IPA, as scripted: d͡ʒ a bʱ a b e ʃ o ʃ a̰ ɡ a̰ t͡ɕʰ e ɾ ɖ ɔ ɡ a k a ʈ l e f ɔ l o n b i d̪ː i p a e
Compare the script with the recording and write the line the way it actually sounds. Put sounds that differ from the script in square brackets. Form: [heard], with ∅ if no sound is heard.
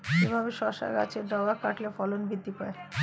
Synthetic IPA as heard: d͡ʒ [e] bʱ a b e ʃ [ɔ] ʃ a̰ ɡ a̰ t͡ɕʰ e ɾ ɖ ɔ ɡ a k a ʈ l e f ɔ l o n b i d̪ː i p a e